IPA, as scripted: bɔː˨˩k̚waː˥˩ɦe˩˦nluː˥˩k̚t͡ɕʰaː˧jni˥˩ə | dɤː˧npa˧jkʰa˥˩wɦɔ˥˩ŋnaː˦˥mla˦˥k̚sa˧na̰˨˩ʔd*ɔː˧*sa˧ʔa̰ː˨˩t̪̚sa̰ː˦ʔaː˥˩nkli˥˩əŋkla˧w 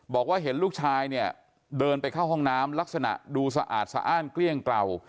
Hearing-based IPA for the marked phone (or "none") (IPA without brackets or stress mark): uː˧